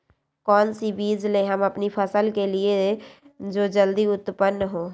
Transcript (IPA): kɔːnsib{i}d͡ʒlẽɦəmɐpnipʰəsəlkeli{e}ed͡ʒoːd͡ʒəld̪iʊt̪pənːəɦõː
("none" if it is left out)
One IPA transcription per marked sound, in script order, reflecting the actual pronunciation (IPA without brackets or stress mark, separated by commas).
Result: iː, e